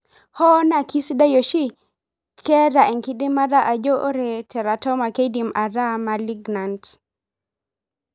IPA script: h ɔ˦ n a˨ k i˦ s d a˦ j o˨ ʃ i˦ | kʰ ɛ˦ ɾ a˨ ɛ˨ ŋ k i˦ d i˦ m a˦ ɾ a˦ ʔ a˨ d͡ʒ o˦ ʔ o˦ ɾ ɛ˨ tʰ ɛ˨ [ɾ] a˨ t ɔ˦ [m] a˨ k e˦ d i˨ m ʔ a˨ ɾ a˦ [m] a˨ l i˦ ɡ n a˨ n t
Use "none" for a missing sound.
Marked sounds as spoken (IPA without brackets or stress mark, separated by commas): ɾ, m, m